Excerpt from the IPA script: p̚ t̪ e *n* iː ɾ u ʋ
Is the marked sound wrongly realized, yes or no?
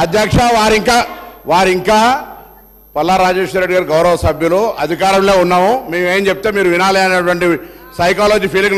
yes